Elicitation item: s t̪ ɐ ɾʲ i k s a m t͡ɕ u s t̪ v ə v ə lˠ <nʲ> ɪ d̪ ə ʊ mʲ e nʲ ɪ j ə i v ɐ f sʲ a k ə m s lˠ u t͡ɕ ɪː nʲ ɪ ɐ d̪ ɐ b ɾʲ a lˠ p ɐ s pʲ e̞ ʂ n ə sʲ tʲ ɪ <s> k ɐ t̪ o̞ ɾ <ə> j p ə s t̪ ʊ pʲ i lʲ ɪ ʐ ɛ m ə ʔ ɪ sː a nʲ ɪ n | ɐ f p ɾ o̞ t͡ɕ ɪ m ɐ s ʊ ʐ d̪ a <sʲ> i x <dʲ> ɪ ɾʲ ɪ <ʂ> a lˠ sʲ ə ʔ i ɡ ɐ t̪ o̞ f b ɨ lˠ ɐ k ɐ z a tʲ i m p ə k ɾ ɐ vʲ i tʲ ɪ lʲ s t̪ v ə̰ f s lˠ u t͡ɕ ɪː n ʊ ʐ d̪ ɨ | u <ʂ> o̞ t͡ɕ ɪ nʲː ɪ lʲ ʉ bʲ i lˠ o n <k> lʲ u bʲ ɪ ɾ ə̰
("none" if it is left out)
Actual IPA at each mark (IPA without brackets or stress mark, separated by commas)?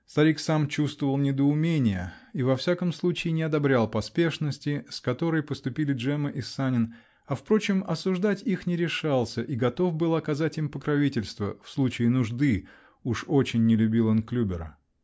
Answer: nʲ, s, ə, tʲ, nʲ, ʂ, ʂ, k